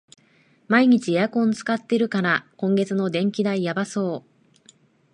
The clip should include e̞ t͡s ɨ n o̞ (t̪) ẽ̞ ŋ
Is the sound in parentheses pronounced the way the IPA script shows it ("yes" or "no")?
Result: no